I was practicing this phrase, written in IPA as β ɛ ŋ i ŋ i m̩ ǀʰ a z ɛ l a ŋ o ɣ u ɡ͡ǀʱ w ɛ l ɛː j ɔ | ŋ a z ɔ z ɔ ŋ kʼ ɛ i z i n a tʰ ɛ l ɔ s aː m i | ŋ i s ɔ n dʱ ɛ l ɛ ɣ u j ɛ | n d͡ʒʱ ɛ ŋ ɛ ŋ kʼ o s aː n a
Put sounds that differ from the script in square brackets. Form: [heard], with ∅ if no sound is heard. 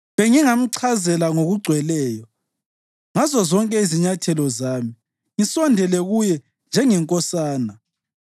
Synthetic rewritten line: β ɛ ŋ i ŋ [a] m̩ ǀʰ a z ɛ l a ŋ o ɣ u ɡ͡ǀʱ w ɛ l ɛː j ɔ | ŋ a z ɔ z ɔ ŋ kʼ ɛ i z i [ɲ] a tʰ ɛ l ɔ [z] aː m i | ŋ i s ɔ n dʱ ɛ l ɛ ɣ u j ɛ | n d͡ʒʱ ɛ ŋ ɛ ŋ kʼ [ɔ] s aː n a